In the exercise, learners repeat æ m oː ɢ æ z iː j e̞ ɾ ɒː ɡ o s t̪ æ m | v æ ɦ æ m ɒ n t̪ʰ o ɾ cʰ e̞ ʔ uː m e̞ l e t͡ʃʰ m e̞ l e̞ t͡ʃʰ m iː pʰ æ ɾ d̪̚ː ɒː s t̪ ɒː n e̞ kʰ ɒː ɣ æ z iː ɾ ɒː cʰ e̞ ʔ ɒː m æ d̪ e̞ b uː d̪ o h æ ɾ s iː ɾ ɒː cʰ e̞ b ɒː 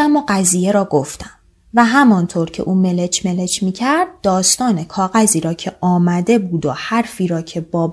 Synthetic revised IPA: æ m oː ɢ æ z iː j e̞ ɾ ɒː ɡ o f t̪ æ m | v æ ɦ æ m ɒ n t̪ʰ o ɾ cʰ e̞ ʔ uː m e̞ l e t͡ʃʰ m e̞ l e̞ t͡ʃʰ m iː cʰ æ ɾ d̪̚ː ɒː s t̪ ɒː n e̞ kʰ ɒː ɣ æ z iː ɾ ɒː cʰ e̞ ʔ ɒː m æ d̪ e̞ b uː d̪ o h æ ɾ f iː ɾ ɒː cʰ e̞ b ɒː